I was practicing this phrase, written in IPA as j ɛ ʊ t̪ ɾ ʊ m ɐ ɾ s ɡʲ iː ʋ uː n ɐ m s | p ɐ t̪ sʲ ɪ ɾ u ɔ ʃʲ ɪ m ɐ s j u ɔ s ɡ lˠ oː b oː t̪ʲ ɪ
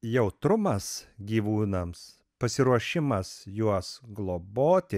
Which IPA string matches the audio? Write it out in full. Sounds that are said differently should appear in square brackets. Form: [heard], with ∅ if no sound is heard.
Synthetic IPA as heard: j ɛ ʊ t̪ ɾ ʊ m ɐ [∅] s ɡʲ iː ʋ uː n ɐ m s | p ɐ [∅] sʲ ɪ ɾ u ɔ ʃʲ ɪ m ɐ s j u ɔ s ɡ lˠ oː b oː t̪ʲ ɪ